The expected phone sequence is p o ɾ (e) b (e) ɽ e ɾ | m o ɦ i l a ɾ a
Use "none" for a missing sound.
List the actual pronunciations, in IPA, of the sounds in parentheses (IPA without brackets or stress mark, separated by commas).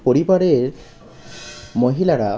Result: i, a